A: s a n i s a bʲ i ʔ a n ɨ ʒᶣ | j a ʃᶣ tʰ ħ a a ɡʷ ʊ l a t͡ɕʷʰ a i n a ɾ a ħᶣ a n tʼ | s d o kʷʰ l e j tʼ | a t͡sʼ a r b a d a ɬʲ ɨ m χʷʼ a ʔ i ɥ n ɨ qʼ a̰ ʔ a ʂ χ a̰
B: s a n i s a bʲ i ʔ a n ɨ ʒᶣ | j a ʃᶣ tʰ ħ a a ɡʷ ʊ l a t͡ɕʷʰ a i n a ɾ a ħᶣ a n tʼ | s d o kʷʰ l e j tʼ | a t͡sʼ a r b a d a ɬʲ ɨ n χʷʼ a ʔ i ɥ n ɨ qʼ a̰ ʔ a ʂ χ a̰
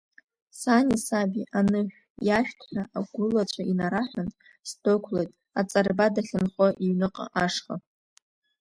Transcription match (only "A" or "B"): B